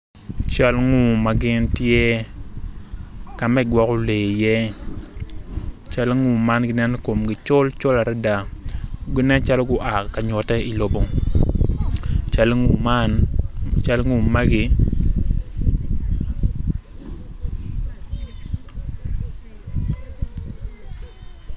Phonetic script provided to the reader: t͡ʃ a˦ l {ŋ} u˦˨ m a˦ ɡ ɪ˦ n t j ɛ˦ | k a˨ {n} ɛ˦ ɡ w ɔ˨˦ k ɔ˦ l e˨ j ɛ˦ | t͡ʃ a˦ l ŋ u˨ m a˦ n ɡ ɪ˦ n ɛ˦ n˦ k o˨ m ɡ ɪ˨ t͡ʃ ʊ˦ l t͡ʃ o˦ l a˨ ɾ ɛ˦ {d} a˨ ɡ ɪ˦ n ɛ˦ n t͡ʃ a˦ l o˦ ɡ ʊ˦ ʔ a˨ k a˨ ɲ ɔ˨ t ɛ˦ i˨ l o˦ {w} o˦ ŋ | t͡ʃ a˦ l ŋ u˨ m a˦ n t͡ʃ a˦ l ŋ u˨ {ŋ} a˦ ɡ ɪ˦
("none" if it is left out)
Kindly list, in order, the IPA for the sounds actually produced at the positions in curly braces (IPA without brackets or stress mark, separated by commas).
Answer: ŋ, m, d, b, m